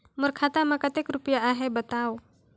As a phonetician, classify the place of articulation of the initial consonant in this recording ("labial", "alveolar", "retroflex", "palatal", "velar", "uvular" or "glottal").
labial